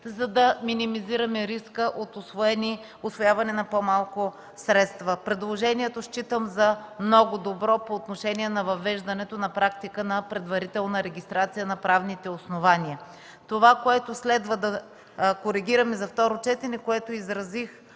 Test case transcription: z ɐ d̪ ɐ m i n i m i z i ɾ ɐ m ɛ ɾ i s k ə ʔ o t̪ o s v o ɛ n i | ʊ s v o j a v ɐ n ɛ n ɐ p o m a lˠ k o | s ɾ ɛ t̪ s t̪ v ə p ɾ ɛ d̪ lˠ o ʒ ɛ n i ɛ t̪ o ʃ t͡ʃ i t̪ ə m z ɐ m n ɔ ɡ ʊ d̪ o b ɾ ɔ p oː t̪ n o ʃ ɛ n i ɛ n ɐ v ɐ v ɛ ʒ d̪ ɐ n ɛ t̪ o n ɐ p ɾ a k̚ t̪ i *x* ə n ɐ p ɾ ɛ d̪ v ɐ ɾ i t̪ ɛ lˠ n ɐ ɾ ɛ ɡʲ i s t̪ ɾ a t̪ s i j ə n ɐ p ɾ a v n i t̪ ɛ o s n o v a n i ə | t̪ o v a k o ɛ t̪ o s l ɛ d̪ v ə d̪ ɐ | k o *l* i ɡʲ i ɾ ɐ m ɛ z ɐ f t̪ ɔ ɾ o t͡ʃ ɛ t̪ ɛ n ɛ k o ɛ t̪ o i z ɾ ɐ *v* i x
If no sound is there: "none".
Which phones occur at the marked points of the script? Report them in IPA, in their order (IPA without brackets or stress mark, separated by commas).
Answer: k, ɾ, z